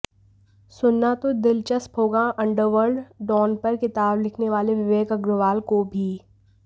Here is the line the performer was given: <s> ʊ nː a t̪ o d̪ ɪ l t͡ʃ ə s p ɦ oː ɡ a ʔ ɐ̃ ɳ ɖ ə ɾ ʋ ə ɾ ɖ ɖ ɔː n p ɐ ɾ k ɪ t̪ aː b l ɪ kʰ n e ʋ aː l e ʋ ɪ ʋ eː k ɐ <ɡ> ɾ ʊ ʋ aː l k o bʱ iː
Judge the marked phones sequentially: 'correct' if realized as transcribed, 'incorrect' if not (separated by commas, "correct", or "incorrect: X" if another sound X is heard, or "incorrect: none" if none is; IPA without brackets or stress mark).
correct, correct